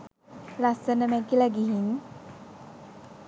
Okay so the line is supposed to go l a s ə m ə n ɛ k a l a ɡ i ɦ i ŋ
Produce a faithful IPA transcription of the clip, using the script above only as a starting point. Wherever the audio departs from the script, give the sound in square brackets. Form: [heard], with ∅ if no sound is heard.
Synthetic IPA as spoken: l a s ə [n] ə [m] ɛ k [i] l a ɡ i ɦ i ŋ

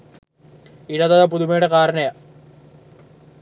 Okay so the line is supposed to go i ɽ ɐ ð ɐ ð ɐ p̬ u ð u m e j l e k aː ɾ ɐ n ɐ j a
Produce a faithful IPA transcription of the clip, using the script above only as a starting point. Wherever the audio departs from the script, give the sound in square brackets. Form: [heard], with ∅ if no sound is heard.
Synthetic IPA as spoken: i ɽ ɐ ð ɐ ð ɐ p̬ u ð u m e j [ɽ] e k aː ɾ ɐ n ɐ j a

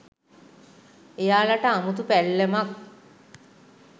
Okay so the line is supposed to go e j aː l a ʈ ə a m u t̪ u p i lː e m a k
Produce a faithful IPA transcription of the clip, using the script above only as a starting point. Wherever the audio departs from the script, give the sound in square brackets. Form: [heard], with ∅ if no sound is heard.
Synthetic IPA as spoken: e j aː l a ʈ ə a m u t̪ u p [æ] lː e m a k

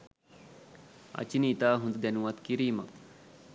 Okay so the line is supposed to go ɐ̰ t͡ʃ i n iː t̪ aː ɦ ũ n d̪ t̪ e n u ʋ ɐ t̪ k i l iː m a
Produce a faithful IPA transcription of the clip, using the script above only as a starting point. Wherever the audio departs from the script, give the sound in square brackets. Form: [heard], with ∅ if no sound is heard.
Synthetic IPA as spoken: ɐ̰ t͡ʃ i n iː t̪ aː ɦ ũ n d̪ [d̪] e n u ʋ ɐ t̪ k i [ɾ] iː m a

